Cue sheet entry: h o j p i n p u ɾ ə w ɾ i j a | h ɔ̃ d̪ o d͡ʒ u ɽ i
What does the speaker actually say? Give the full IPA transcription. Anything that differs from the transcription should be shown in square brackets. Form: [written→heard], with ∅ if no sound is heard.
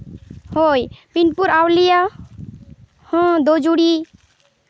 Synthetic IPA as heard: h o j p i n p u ɾ [ə→a] w [ɾ→l] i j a | h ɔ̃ d̪ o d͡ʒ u ɽ i